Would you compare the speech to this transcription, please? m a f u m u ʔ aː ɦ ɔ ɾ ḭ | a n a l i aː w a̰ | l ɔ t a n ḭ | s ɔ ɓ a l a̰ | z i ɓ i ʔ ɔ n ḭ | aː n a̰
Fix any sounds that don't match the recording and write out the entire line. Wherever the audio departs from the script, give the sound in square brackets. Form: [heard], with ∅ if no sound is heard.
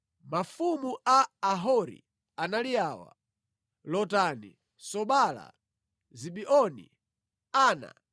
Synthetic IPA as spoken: m a f u m u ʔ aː ɦ ɔ ɾ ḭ | a n a l i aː w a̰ | l ɔ t a n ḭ | s ɔ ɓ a l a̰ | z i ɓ i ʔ ɔ n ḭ | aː n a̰

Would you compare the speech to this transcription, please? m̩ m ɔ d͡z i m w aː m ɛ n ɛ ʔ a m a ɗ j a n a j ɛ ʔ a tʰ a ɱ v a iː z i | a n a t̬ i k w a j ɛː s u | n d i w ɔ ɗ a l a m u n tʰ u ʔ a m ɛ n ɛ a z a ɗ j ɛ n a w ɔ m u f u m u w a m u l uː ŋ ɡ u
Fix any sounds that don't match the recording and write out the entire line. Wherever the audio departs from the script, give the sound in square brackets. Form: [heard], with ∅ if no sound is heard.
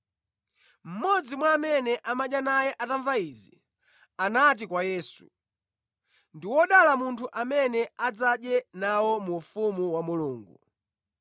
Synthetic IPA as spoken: m̩ m ɔ d͡z i m w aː m ɛ n ɛ ʔ a m a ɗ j a n a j ɛ ʔ a [t] a ɱ v a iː z i | a n a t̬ i k w a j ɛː s u | n d i w ɔ ɗ a l a m u n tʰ u ʔ a m ɛ n ɛ a [d͡z] a ɗ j ɛ n a w ɔ m u f u m u w a m u l uː ŋ ɡ u

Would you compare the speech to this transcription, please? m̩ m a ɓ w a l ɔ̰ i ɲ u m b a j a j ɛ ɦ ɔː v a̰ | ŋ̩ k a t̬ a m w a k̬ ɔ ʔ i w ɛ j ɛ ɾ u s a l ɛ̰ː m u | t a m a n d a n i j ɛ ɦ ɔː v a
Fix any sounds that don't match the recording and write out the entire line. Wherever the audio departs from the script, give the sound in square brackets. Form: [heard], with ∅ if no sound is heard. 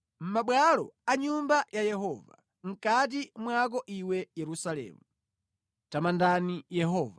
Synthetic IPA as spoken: m̩ m a ɓ w a l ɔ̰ [a] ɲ u m b a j a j ɛ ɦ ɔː v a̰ | ŋ̩ k a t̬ [i] m w a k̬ ɔ ʔ i w ɛ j ɛ ɾ u s a l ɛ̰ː m u | t a m a n d a n i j ɛ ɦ ɔː v a

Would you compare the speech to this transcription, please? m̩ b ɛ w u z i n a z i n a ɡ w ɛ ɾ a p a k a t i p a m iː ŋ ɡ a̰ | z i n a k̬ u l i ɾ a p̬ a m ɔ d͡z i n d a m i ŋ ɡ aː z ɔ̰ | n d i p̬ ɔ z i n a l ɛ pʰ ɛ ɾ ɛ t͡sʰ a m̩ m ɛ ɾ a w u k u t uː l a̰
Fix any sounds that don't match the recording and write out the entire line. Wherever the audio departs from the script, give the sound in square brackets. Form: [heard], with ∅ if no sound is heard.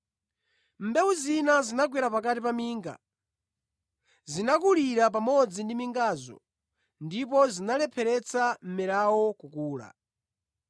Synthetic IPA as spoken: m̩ b ɛ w u z i n a z i n a ɡ w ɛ ɾ a p a k a t i p a m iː ŋ ɡ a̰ | z i n a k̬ u l i ɾ a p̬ a m ɔ d͡z i n d [i] m i ŋ ɡ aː z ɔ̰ | n d i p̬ ɔ z i n a l ɛ pʰ ɛ ɾ ɛ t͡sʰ a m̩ m ɛ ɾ a w [ɔ] k u [k] uː l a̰

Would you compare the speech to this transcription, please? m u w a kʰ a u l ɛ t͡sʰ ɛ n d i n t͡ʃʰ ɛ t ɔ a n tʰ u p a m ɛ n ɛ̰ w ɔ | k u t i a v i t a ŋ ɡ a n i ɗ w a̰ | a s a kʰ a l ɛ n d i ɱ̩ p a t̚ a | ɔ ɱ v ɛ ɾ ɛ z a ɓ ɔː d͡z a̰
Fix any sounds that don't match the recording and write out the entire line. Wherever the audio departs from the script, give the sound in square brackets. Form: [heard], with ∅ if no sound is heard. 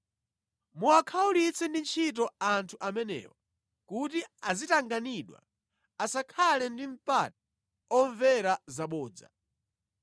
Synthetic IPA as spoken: m u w a kʰ a u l [i] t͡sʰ ɛ n d i n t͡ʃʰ [i] t ɔ a n tʰ u [ʔ] a m ɛ n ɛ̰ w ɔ | k u t i a [z] i t a ŋ ɡ a n i ɗ w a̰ | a s a kʰ a l ɛ n d i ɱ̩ p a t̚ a | ɔ ɱ v ɛ ɾ [a] z a ɓ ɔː d͡z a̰

